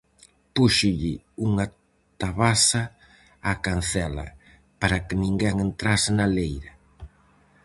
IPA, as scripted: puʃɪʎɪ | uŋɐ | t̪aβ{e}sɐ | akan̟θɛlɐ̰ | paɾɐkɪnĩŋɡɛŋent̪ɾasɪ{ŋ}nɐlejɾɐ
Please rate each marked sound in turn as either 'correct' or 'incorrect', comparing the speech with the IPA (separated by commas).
incorrect, incorrect